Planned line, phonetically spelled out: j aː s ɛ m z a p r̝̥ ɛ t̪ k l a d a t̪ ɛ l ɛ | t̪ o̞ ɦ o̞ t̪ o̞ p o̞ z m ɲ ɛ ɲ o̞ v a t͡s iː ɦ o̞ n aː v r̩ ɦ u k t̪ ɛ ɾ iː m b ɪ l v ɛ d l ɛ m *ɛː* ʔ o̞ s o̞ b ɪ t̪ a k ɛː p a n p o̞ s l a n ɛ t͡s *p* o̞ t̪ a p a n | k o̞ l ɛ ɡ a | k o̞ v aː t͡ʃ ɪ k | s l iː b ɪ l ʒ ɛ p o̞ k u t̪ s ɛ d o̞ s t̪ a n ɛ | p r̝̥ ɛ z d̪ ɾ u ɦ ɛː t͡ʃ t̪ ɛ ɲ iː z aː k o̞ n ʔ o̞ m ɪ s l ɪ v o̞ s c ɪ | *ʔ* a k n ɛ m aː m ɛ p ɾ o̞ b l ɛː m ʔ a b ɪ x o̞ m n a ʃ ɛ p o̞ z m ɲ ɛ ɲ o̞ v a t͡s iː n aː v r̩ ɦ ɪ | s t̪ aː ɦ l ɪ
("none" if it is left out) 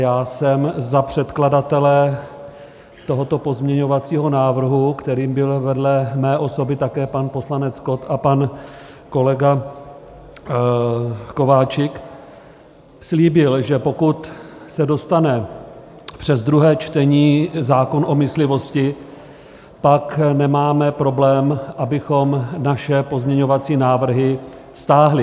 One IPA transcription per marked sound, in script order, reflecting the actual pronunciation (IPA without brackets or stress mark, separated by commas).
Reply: ɛː, k, p